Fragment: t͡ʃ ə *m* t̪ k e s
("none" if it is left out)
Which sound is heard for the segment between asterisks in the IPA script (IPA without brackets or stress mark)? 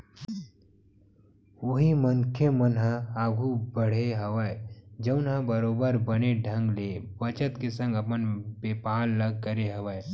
none